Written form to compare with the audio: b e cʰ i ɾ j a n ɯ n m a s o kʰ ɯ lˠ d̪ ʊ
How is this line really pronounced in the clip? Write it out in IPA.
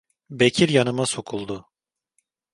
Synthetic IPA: b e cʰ i ɾ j a n ɯ m a s o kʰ u lˠ d̪ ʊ